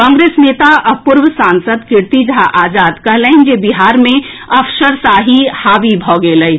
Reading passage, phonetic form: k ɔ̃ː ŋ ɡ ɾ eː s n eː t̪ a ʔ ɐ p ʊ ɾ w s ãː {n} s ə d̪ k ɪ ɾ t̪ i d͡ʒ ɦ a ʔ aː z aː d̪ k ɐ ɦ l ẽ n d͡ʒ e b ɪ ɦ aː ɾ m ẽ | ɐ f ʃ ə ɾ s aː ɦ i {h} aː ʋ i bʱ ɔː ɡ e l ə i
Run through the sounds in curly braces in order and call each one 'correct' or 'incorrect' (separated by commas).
correct, correct